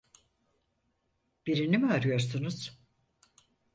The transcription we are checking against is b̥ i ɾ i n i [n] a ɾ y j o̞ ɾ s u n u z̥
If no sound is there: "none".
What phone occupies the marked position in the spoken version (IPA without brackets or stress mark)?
m